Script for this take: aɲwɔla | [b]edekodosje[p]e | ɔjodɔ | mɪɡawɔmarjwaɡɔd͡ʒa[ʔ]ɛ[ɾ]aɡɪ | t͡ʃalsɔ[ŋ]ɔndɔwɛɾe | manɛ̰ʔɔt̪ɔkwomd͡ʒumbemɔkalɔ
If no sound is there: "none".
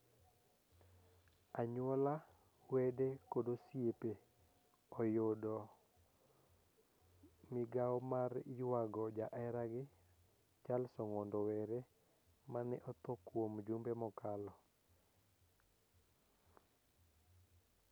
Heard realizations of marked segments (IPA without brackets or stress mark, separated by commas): w, p, ʔ, ɾ, ŋ